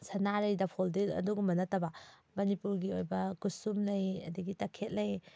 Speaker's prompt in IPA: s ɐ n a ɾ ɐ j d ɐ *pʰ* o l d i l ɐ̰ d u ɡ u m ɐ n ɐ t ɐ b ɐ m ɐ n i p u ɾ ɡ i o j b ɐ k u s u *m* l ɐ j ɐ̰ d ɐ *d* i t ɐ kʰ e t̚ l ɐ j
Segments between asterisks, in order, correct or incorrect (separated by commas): correct, correct, incorrect